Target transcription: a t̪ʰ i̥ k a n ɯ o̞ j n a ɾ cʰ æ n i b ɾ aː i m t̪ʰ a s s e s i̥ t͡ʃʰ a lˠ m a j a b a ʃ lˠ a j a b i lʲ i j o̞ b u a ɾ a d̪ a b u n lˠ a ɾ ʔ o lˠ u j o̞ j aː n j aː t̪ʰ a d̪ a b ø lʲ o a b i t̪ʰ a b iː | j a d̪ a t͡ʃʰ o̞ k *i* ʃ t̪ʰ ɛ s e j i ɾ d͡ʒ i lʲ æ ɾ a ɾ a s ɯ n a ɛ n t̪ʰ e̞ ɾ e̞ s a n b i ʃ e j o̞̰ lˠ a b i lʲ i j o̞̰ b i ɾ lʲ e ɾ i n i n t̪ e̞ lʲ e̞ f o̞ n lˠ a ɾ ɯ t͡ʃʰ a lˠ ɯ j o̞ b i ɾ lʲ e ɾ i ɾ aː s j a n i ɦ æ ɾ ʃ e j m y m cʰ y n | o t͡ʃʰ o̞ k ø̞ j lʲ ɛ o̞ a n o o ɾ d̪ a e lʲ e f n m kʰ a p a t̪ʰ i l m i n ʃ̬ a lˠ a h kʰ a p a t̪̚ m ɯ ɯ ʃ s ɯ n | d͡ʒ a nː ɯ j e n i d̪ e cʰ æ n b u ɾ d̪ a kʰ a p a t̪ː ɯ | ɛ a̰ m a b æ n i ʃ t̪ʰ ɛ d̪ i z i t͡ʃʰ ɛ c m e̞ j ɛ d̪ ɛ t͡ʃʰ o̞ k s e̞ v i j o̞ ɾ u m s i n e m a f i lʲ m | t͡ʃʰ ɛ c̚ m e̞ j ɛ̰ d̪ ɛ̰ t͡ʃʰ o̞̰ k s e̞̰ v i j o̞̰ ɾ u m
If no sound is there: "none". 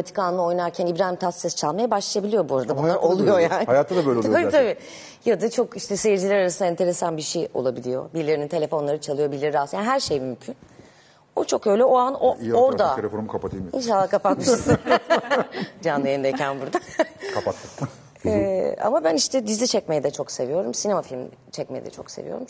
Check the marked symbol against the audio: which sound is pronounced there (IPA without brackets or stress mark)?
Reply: i